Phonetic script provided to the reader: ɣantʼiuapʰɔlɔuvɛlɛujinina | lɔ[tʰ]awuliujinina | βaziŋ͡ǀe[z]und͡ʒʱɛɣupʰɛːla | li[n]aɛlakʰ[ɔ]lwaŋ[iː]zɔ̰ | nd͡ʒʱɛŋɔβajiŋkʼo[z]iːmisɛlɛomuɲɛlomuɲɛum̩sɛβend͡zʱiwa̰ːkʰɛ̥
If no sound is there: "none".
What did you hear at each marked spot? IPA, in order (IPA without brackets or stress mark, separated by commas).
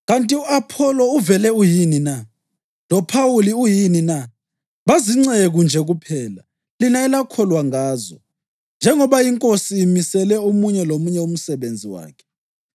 pʰ, ɣ, n, ɔ, aː, s